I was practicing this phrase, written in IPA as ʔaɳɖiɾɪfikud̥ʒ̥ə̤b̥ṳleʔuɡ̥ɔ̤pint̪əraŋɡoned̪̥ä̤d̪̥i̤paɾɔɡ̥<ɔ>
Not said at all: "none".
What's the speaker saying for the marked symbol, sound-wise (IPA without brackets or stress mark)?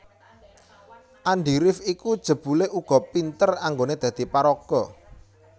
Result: ɔ